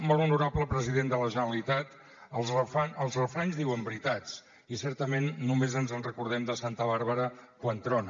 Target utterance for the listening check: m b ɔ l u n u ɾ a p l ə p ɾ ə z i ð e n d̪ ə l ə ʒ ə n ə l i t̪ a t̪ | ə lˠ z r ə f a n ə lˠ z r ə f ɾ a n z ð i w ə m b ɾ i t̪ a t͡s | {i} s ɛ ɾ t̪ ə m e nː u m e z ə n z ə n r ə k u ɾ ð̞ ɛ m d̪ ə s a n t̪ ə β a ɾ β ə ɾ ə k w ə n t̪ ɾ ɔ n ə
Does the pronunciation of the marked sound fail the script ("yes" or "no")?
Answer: no